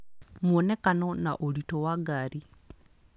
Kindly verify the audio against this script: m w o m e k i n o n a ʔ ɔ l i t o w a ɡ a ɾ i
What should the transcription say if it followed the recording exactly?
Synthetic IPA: m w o n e k a n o n a ʔ o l i t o w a ɡ a ɾ i